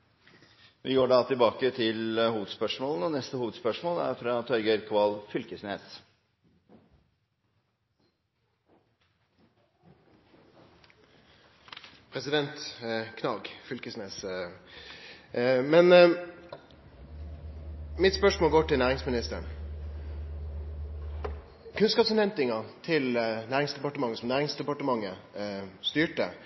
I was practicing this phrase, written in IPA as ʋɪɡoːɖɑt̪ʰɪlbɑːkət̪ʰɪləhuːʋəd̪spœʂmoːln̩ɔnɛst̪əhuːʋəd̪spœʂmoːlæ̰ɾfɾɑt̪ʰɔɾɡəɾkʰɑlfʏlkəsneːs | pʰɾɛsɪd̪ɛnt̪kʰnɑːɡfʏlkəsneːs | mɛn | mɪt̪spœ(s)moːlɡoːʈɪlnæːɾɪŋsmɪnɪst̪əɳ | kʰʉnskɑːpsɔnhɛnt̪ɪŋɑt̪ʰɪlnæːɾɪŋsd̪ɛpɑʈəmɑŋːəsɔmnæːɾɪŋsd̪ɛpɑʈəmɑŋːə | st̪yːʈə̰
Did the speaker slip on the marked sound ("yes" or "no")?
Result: yes